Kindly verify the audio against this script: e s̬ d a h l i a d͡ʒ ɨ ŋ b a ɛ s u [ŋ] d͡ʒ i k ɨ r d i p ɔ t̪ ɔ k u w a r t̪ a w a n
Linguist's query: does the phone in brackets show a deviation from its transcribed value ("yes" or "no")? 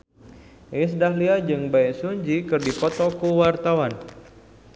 yes